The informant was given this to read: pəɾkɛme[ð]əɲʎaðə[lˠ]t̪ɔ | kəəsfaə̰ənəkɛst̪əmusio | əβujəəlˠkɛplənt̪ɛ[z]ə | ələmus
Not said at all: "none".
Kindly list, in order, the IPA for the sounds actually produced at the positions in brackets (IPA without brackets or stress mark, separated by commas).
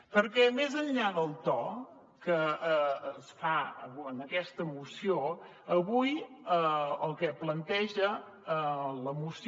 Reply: z, lˠ, ʒ